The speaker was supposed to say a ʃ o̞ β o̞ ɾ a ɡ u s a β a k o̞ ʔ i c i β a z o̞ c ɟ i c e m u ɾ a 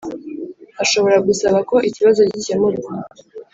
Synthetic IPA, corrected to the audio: a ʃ o̞ β o̞ ɾ a ɡ u s a β a k o̞ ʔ i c i β a z o̞ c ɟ i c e m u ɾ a